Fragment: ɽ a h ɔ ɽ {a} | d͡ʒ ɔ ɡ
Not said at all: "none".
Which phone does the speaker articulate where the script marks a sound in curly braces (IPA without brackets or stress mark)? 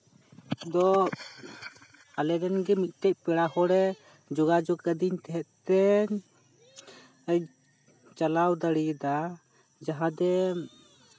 ɛ